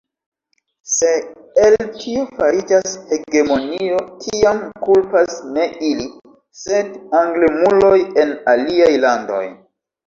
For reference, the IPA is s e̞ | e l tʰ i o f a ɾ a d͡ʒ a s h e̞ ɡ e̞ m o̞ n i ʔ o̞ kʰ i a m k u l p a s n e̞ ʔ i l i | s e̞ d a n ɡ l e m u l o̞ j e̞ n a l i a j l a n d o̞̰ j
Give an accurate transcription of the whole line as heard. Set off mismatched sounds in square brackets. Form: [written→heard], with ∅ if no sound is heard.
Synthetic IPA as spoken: s e̞ | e l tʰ i o f a ɾ [a→i] d͡ʒ a s h e̞ ɡ e̞ m o̞ n i [ʔ→∅] o̞ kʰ i a m k u l p a s n e̞ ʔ i l i | s e̞ d a [n→ŋ] ɡ l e m u l o̞ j e̞ n a l i a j l a n d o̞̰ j